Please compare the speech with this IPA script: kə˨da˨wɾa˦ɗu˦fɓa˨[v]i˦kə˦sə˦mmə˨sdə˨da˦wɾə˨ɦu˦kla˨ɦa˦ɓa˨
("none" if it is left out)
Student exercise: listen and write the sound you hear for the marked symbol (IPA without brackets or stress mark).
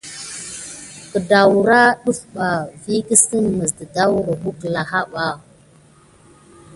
v